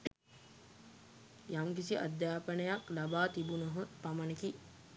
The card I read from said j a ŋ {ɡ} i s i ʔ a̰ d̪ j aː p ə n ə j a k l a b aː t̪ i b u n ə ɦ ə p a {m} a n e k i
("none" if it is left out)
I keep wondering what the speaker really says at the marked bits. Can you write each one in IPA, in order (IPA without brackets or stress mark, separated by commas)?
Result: k, m